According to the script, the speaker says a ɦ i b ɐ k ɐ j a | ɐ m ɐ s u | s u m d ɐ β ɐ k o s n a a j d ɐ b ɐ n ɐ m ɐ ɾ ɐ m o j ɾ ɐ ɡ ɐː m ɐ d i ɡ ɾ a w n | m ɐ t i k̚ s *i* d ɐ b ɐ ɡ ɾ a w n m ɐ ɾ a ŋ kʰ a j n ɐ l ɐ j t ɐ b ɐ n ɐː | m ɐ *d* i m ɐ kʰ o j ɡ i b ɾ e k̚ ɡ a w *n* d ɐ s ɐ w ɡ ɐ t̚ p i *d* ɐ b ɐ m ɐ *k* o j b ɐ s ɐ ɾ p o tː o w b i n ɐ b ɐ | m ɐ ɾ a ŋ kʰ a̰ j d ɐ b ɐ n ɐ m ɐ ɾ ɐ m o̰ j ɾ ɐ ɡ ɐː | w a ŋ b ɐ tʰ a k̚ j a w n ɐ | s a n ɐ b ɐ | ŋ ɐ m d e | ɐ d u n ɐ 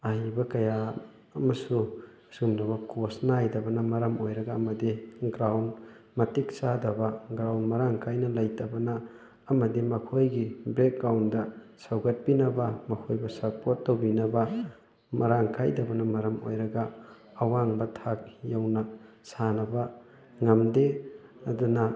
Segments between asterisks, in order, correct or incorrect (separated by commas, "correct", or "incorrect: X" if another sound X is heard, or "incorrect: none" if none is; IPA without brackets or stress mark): incorrect: a, correct, correct, incorrect: n, incorrect: kʰ